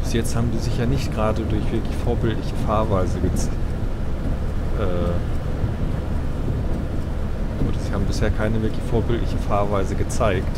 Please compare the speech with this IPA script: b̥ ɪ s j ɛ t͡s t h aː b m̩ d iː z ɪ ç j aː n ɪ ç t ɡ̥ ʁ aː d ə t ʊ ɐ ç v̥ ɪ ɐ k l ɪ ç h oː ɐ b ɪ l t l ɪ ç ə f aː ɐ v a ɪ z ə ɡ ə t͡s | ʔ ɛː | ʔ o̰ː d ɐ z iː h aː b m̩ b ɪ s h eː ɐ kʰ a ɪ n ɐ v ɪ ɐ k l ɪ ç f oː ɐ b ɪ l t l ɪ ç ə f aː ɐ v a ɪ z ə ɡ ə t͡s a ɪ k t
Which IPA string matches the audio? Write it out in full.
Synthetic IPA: b̥ ɪ s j ɛ t͡s t h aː b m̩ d iː z ɪ ç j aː n ɪ ç t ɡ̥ ʁ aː d ə d ʊ ɐ ç v̥ ɪ ɐ k l ɪ ç f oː ɐ b ɪ l t l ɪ ç ə f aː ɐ v a ɪ z ə ɡ ə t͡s | ʔ ɛː | ʔ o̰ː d ɐ z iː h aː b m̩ b ɪ s h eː ɐ kʰ a ɪ n ə v ɪ ɐ k l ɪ ç f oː ɐ b ɪ l t l ɪ ç ə f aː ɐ v a ɪ z ə ɡ ə t͡s a ɪ k t